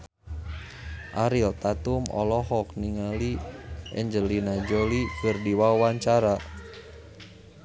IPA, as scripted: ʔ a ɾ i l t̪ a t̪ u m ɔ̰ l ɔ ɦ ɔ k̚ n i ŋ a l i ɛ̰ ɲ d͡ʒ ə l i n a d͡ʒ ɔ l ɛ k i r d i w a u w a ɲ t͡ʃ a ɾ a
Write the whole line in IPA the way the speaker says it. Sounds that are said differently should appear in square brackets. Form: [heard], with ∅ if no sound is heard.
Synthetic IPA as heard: ʔ a ɾ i l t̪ a t̪ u m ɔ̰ l ɔ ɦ ɔ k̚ n i ŋ a l i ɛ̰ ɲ d͡ʒ ə l i n a d͡ʒ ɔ l [i] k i r d i w a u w a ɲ t͡ʃ a ɾ a